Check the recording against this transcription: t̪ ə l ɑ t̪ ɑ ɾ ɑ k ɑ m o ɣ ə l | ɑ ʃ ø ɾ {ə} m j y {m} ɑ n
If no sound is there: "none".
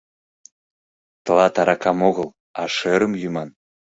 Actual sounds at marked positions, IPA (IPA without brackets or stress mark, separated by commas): ə, m